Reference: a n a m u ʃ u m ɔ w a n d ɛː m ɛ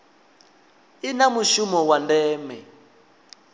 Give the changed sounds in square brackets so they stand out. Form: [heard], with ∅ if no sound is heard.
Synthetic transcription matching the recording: [i] n a m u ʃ u m ɔ w a n d ɛː m ɛ